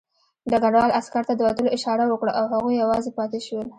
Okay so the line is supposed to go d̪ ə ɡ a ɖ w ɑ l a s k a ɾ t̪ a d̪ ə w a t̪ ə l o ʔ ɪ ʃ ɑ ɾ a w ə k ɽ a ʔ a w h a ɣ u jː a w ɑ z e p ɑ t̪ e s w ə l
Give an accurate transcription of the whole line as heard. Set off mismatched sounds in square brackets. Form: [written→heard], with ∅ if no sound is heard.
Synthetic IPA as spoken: d̪ ə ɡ a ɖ w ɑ l a s k a ɾ t̪ a d̪ ə w a t̪ ə l o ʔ ɪ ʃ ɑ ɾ a w ə k ɽ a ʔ a w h a ɣ u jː a w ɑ z e p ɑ t̪ e [s→ʃ] w ə l